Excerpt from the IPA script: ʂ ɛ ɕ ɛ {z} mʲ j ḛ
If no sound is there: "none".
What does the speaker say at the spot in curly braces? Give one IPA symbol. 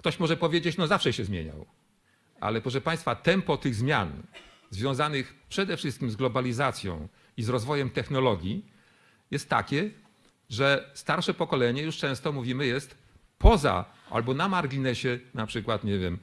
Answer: z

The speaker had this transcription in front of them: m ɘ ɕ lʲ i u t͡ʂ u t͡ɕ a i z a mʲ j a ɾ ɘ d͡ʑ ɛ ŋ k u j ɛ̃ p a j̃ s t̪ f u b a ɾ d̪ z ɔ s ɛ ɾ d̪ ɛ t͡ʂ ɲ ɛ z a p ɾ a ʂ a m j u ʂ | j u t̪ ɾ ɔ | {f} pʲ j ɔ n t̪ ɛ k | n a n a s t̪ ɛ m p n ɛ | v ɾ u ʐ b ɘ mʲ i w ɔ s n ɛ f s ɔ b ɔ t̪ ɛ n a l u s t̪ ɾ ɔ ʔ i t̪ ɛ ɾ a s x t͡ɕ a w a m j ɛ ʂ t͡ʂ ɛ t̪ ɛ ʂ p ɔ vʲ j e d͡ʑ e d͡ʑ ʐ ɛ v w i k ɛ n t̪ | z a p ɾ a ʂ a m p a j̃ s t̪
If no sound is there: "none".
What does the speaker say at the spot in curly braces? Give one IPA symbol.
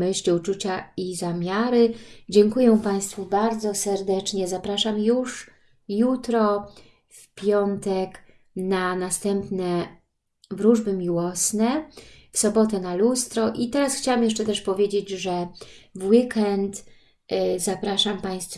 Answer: f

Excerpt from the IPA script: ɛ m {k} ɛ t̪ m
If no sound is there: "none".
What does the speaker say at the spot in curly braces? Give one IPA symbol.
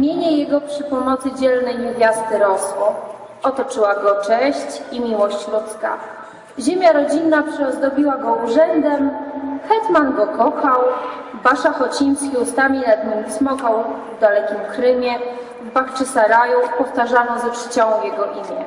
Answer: x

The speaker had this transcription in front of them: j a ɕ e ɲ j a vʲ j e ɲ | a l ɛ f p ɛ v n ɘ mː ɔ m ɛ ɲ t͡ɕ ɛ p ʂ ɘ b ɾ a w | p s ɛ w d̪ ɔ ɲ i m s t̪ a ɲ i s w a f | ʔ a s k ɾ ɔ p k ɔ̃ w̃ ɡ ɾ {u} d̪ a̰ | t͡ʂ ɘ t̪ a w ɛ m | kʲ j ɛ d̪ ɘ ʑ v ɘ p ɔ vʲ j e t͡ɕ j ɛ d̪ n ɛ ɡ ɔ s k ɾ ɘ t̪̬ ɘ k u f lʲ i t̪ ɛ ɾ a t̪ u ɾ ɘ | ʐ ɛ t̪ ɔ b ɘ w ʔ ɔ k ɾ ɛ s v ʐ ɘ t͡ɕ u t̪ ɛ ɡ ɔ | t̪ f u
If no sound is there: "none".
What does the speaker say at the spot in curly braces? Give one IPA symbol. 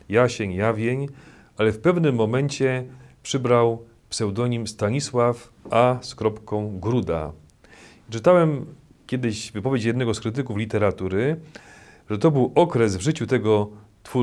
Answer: u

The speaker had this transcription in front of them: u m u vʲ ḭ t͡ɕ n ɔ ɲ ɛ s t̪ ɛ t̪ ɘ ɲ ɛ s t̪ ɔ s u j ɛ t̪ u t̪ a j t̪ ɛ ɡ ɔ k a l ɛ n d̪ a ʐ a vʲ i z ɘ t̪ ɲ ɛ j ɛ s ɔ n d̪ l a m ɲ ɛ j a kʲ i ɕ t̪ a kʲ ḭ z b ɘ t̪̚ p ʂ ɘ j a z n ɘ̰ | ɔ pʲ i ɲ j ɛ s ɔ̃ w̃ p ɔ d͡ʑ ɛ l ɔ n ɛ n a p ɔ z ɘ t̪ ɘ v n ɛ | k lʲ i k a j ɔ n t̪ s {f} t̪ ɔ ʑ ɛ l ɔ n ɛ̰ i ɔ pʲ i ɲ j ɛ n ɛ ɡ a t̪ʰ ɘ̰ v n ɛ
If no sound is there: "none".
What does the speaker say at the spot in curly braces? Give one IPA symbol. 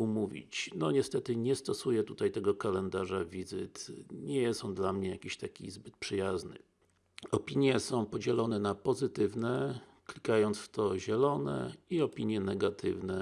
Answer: f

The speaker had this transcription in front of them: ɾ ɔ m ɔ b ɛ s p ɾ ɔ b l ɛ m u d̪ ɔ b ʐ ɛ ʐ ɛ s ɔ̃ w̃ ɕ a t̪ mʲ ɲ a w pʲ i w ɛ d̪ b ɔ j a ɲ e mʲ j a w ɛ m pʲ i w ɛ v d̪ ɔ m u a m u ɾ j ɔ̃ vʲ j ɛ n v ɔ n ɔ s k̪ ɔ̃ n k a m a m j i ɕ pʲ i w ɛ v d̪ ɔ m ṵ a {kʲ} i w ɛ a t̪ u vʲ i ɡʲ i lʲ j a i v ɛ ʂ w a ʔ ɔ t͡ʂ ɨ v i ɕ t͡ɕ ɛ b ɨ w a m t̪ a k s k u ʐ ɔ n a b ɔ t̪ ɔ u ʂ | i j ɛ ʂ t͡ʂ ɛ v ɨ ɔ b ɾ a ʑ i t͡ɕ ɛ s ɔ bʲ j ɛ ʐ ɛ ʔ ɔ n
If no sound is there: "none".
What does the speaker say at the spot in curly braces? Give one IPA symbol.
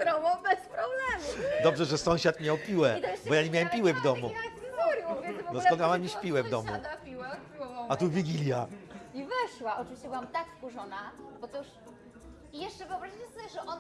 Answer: pʲ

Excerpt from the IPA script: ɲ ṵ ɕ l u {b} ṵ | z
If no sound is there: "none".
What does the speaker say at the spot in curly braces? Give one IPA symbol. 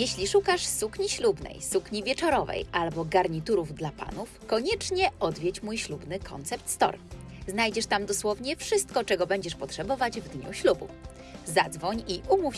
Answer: b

